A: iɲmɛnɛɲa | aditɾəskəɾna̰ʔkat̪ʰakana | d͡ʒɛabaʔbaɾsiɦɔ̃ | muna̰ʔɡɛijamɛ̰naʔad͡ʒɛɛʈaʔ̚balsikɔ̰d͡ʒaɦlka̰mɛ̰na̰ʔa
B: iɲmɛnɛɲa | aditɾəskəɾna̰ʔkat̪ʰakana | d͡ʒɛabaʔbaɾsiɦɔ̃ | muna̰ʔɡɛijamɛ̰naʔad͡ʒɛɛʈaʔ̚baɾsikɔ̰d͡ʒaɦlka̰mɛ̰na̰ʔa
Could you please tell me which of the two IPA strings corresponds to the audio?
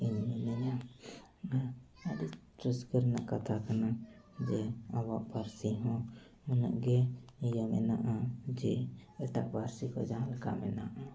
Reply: B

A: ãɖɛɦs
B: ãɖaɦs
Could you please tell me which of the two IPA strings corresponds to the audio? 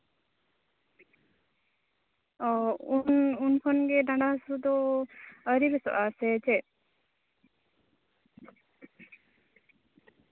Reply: B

